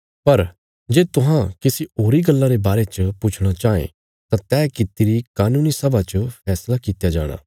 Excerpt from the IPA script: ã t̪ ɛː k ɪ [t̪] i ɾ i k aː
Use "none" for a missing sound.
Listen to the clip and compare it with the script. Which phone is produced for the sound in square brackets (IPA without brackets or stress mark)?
t̪